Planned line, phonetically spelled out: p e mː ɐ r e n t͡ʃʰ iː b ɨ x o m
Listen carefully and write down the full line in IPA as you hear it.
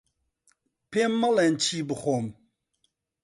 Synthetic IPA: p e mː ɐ l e n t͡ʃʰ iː b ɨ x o m

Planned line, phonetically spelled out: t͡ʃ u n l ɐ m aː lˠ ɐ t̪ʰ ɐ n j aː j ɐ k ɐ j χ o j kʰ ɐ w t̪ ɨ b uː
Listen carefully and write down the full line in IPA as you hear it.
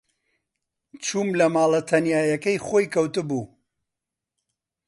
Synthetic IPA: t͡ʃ u m l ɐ m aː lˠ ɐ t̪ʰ ɐ n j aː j ɐ k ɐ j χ o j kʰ ɐ w t̪ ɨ b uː

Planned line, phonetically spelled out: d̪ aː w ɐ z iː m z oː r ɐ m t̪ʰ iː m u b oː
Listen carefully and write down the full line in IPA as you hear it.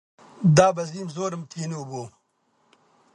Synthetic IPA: d̪ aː b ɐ z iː m z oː ɾ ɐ m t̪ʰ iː n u b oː

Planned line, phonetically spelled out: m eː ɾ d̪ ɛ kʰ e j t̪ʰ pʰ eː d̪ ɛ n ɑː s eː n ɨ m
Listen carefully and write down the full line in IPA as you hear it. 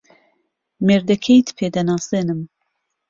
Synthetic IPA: m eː ɾ d̪ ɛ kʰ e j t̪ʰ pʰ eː d̪ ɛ n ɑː s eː n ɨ m

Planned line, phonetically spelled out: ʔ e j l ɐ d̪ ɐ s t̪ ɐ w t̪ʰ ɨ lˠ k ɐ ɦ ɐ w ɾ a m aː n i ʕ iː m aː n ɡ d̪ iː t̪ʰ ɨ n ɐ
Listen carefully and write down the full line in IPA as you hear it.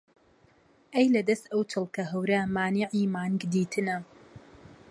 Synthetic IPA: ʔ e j l ɐ d̪ ɐ s t̪ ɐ w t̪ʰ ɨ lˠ k ɐ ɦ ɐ w ɾ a m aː n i ʕ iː m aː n ɡ d̪ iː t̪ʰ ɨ n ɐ

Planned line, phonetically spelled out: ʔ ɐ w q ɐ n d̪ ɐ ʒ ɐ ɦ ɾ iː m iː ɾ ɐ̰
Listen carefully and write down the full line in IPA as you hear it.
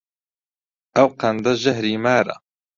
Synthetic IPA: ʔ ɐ w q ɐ n d̪ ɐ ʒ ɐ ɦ ɾ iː m aː ɾ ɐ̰

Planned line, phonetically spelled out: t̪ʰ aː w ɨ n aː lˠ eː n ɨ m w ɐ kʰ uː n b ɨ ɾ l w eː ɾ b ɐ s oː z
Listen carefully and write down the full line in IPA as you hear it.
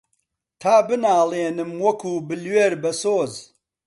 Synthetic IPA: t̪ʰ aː b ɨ n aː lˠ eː n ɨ m w ɐ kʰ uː b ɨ l w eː ɾ b ɐ s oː z

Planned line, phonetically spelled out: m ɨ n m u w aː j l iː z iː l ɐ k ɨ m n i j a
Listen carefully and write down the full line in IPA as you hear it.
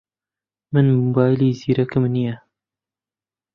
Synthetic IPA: m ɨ n m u b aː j l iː z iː ɾ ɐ k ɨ m n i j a

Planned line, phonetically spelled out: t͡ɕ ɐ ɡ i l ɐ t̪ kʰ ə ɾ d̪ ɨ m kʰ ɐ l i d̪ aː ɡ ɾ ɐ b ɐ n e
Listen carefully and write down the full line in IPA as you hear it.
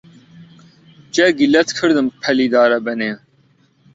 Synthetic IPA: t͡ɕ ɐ ɡ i l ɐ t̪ kʰ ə ɾ d̪ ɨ m pʰ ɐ l i d̪ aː ɾ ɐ b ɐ n e

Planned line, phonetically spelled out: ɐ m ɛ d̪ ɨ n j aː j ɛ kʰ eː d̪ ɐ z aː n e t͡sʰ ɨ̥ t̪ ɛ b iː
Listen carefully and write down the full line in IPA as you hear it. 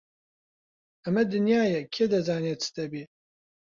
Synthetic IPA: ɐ m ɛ d̪ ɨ n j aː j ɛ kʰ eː d̪ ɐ z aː n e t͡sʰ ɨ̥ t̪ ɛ b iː

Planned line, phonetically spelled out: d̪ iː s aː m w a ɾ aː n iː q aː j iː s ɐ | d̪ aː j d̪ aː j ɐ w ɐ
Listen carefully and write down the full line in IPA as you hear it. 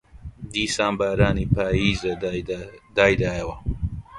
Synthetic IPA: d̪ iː s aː m b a ɾ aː n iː p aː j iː z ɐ | d̪ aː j d̪ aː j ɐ w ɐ

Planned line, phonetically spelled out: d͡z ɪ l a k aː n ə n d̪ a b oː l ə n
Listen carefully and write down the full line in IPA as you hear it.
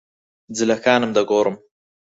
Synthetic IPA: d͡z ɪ l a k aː n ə m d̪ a ɡ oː ɾ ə m

